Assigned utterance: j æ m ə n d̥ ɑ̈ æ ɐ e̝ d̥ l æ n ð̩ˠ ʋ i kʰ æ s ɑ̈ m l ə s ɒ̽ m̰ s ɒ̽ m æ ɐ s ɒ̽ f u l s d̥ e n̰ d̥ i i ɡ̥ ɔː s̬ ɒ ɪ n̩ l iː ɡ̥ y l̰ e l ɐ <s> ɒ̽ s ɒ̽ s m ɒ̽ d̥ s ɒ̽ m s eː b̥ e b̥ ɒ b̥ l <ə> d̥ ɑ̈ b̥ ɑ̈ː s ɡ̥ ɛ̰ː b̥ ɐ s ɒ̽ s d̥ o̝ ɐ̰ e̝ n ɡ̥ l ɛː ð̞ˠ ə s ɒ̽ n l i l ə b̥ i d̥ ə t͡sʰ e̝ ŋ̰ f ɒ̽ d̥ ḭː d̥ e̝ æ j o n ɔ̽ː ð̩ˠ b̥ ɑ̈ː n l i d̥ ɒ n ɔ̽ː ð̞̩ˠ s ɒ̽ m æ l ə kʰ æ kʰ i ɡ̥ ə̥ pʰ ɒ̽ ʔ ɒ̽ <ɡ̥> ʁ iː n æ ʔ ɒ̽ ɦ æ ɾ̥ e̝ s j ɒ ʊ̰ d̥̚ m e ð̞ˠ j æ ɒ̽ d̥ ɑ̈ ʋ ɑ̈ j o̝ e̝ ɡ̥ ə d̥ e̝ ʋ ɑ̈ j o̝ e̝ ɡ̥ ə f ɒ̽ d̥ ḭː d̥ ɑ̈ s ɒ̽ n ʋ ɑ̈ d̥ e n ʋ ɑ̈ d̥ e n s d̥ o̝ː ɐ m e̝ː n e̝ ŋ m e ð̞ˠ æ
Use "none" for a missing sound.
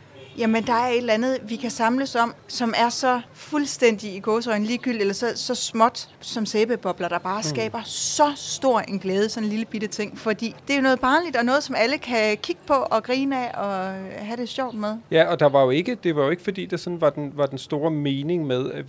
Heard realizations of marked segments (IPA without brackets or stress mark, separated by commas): s, ɐ, ɡ̥